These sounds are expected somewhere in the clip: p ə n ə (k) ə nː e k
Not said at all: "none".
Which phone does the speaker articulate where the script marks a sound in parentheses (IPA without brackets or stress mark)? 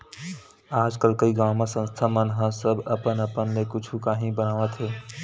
p